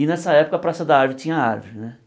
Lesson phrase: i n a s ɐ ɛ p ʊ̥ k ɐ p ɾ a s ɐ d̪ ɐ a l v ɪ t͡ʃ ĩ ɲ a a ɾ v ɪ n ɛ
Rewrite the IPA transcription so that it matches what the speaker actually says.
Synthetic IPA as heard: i n ɛ s ɐ ɛ p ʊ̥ k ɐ p ɾ a s ɐ d̪ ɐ a ɾ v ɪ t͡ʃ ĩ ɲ ɐ a ɾ v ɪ n ɛ